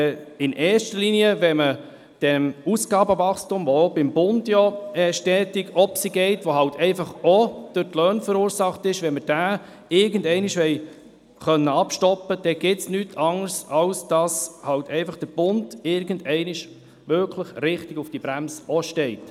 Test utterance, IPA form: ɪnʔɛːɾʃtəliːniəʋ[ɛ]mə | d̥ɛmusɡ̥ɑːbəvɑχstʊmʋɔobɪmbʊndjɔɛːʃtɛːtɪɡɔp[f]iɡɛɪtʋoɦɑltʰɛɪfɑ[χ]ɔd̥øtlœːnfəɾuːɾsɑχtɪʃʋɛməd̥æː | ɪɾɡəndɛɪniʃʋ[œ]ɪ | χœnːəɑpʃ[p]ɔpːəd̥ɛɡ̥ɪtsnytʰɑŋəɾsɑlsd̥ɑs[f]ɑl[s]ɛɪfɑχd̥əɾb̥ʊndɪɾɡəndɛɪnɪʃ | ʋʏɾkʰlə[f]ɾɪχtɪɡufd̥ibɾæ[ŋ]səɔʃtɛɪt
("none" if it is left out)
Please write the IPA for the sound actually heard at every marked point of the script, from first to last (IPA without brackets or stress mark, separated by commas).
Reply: ɛ, s, χ, ɛ, t, h, t, χ, m